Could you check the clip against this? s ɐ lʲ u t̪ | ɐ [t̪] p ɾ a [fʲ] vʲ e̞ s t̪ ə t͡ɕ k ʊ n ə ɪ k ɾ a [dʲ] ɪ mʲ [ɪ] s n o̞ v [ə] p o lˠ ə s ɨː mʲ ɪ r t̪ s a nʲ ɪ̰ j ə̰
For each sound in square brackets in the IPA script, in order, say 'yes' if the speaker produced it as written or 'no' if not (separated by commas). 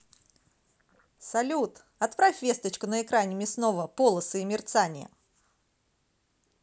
yes, yes, no, yes, yes